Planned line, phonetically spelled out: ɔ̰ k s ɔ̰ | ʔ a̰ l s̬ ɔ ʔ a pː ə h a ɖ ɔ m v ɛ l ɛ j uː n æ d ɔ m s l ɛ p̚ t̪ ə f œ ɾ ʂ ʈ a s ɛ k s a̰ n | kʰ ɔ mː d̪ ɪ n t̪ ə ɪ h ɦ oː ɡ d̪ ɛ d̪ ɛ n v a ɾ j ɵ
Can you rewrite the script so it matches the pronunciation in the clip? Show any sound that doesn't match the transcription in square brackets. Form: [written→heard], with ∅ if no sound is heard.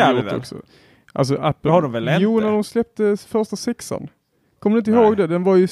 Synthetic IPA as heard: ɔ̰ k s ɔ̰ | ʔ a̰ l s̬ ɔ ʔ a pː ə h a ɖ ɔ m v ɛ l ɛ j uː n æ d ɔ m s l ɛ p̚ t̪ ə f œ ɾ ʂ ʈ a s ɛ k s a̰ n | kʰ ɔ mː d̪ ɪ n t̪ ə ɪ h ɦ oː ɡ d̪ ɛ d̪ ɛ n v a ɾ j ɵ